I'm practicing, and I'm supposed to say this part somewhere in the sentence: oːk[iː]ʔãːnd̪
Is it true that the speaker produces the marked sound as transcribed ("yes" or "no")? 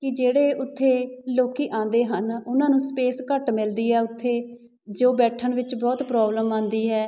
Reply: yes